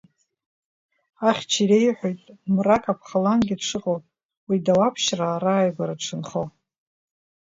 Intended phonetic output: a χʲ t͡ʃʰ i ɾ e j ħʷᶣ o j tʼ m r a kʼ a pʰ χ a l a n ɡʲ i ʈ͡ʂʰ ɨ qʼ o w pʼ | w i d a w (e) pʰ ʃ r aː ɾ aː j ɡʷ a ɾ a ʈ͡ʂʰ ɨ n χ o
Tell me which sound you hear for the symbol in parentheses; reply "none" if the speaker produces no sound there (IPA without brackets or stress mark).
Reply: a